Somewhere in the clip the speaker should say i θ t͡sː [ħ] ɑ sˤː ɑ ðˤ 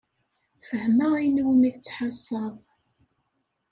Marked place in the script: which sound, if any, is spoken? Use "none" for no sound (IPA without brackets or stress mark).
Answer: ħ